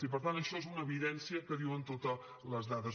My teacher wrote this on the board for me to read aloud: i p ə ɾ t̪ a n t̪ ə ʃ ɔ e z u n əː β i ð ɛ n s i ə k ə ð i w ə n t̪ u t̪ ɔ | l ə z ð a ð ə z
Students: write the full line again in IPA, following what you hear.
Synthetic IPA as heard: i p ə ɾ t̪ a n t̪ ə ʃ ɔ e z u n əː β i ð ɛ n s i ə k ə ð i w ə n t̪ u t̪ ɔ | l ə z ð a ð ə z